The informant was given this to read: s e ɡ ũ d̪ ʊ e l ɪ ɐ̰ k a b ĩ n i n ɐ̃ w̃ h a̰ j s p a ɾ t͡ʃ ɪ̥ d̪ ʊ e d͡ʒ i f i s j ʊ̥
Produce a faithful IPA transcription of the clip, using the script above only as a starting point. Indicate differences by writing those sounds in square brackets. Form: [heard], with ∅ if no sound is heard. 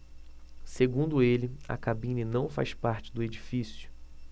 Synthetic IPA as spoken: s e ɡ ũ d̪ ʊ e l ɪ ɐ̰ k a b ĩ n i n ɐ̃ w̃ [f] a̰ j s p a ɾ t͡ʃ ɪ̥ d̪ ʊ e d͡ʒ i f i s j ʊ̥